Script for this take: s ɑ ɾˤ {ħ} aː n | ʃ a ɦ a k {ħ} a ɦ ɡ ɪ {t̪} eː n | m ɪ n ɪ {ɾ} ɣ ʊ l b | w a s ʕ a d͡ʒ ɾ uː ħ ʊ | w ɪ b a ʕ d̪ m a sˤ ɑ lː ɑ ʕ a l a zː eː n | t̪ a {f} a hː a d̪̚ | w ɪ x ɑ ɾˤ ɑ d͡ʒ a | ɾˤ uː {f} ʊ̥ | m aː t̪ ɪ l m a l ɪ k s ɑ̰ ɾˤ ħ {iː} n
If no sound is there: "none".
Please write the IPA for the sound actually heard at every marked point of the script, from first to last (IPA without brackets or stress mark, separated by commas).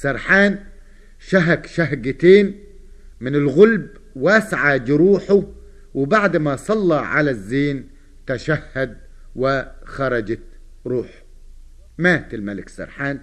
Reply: ħ, ʃ, t̪, l, ʃ, ħ, aː